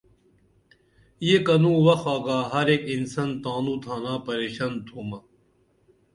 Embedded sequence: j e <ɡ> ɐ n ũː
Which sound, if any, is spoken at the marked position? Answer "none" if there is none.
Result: k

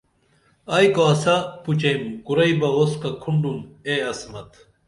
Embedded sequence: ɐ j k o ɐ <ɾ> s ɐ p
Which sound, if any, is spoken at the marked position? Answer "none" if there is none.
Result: none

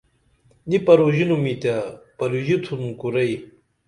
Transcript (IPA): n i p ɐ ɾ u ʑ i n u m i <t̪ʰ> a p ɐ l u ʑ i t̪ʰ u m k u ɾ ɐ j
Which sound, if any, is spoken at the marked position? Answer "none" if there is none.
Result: t̪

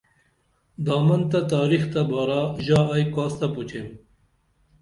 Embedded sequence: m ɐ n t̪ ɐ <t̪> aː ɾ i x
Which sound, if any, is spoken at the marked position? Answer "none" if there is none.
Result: t̪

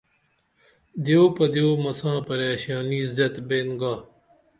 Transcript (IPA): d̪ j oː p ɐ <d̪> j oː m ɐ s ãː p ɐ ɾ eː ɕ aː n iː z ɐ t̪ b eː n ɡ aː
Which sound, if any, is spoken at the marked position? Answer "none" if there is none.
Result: d̪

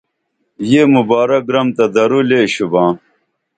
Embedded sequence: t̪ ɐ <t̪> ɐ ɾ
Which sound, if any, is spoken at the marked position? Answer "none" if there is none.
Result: d̪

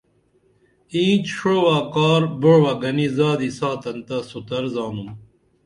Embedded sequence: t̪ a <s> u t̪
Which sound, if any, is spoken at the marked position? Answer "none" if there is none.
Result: s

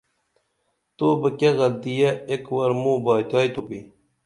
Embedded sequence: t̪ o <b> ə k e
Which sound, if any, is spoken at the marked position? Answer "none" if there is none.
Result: b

